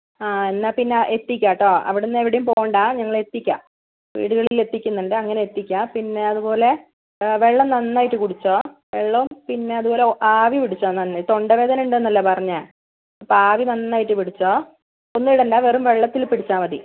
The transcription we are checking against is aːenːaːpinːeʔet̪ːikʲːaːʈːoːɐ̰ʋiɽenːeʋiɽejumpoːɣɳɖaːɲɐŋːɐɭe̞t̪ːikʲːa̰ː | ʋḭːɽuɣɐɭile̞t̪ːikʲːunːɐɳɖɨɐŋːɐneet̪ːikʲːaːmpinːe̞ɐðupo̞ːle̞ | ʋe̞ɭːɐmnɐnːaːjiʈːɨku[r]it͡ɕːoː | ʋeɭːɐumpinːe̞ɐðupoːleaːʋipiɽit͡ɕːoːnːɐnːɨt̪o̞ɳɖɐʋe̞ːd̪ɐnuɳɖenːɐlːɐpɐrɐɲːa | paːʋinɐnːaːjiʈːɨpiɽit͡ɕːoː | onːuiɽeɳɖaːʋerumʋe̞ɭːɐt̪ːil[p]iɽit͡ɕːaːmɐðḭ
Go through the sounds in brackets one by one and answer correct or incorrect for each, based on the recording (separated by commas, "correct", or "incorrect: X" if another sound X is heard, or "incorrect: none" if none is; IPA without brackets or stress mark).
incorrect: ɽ, correct